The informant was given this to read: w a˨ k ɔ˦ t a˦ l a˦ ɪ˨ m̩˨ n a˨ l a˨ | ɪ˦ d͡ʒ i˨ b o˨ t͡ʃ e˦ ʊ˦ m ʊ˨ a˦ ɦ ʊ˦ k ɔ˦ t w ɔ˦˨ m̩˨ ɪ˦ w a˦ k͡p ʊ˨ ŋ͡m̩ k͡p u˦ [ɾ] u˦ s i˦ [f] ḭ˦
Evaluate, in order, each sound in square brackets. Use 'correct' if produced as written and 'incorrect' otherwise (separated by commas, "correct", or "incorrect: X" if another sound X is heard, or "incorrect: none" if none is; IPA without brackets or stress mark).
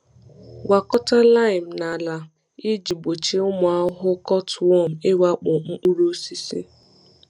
correct, incorrect: s